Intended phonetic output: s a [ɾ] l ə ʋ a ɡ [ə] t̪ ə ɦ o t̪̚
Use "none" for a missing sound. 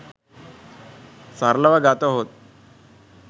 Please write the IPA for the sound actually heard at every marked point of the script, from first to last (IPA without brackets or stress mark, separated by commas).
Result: ɾ, a